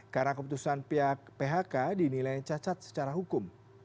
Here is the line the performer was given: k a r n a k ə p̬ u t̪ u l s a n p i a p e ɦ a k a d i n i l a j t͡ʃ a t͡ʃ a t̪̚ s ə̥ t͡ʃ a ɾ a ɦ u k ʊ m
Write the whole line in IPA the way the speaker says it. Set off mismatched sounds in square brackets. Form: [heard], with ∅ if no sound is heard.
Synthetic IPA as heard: k a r n a k ə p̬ u t̪ u [∅] s a n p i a p e ɦ a k a d i n i l a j t͡ʃ a t͡ʃ a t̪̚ s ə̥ t͡ʃ a ɾ a ɦ u k ʊ m